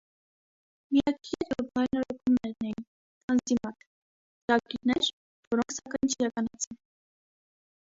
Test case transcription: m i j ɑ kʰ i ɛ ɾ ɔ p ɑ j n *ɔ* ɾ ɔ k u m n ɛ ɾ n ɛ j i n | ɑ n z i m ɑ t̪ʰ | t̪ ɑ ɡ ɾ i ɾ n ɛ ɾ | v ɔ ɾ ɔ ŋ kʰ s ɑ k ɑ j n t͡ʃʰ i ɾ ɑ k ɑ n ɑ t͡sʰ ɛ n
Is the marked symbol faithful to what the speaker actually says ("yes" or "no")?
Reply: yes